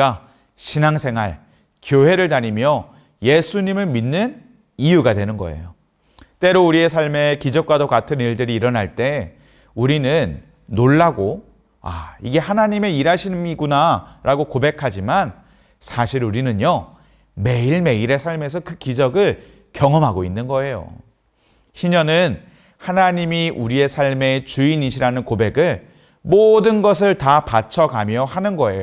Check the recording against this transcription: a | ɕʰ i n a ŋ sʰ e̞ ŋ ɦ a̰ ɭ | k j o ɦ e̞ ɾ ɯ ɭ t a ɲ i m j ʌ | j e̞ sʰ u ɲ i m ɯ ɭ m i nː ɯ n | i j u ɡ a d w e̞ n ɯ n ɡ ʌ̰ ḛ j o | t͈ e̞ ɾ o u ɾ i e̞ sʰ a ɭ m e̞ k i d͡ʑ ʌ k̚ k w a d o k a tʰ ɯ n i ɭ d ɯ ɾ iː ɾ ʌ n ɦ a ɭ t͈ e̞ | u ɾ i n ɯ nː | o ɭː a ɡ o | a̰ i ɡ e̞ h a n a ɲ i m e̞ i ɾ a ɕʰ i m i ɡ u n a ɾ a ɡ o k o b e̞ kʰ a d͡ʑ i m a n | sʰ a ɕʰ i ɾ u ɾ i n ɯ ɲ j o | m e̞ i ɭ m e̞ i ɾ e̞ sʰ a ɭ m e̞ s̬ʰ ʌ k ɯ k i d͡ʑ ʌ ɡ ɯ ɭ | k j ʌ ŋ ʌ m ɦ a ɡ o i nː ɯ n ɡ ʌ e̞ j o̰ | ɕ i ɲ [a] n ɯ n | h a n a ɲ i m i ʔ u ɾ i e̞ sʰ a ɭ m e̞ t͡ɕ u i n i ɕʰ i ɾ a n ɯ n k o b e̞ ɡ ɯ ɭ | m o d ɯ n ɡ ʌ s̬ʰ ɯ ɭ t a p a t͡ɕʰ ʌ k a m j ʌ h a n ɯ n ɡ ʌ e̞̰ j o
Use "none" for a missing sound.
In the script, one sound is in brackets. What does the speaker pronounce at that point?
ʌ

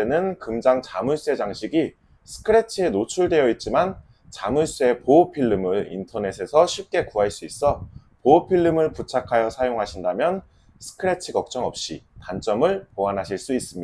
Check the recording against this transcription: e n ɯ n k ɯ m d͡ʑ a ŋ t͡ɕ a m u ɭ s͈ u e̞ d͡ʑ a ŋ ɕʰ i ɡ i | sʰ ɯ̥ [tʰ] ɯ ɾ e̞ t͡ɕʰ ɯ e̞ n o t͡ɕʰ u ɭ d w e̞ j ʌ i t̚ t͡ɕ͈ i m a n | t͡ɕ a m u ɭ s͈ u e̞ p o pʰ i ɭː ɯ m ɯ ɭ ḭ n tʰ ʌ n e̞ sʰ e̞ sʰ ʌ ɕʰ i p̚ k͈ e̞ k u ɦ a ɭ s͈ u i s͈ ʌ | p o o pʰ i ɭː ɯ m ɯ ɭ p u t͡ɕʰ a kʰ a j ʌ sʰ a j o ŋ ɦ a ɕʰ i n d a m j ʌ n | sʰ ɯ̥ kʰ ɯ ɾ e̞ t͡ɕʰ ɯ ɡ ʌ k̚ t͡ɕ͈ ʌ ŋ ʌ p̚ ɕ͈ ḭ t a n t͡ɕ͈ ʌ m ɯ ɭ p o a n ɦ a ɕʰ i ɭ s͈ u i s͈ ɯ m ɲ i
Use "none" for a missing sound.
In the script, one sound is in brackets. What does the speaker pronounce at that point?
kʰ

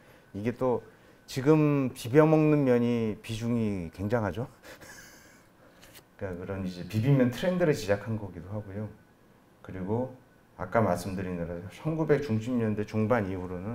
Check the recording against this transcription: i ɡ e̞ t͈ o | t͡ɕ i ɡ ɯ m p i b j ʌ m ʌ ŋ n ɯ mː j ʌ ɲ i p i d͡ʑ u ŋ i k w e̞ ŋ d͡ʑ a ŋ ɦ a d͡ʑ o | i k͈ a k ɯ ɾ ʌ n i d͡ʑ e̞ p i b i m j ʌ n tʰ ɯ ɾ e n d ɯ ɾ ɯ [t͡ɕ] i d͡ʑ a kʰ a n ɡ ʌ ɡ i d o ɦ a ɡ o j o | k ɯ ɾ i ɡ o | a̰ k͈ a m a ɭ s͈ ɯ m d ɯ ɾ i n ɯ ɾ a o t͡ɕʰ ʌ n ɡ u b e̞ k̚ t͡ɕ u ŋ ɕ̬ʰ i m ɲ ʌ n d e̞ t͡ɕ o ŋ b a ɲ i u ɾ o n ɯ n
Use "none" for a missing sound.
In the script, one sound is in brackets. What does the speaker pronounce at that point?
t͡ɕ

